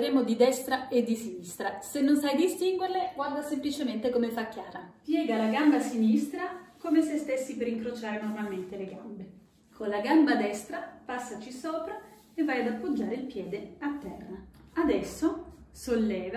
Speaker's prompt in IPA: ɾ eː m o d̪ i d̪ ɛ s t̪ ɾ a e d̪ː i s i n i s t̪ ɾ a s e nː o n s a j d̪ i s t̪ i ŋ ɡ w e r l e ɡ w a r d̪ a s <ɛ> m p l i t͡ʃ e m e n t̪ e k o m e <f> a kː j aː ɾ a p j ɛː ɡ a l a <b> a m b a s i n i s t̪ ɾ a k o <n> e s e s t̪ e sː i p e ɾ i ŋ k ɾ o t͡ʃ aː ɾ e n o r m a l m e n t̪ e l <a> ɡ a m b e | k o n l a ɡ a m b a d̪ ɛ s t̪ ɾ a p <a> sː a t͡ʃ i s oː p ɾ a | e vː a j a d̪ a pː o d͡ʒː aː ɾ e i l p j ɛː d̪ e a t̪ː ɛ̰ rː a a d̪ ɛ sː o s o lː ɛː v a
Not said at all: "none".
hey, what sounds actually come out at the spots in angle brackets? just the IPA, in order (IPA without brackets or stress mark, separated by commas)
e, f, ɡ, m, e, a